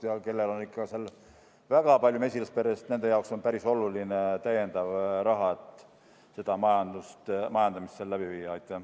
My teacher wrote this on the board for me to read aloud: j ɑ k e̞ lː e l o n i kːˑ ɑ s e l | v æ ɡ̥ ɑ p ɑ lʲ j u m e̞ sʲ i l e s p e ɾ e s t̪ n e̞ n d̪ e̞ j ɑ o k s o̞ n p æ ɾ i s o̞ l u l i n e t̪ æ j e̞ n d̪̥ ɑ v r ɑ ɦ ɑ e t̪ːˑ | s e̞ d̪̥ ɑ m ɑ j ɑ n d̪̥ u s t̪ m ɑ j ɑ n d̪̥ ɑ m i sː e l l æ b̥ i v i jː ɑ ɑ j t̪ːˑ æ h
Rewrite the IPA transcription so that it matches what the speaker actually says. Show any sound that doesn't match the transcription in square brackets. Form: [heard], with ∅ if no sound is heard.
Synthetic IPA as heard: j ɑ k e̞ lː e l o n i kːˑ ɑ s e l | v æ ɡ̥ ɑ p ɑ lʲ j u m e̞ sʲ i l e s p e ɾ e s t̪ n e̞ n d̪ e̞ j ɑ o k s o̞ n p æ ɾ i s o̞ l u l i n e t̪ æ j e̞ n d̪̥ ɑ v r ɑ ɦ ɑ e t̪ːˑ | s e̞ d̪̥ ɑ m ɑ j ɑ n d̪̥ u s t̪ m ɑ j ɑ n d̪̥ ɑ m i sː e l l æ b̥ i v i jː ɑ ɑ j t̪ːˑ æ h